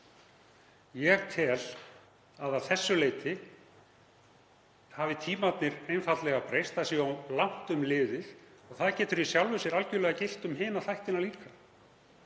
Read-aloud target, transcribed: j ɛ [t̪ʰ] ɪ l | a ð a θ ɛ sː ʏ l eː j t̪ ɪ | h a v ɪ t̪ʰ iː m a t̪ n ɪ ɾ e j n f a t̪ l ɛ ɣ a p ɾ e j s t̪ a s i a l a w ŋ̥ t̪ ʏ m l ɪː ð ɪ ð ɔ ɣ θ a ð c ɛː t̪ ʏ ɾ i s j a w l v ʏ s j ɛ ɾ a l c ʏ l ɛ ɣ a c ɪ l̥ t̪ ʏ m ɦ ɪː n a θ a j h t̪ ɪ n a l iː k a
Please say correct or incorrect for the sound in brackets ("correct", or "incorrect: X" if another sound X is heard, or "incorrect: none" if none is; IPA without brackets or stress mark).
correct